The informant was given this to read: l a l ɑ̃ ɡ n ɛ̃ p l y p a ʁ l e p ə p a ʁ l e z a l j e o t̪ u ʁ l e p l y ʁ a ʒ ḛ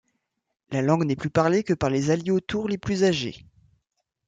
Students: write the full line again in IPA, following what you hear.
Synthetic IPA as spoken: l a l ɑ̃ ɡ n ɛ p l y p a ʁ l e k ə p a ʁ l e z a l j e o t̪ u ʁ l e p l y z a ʒ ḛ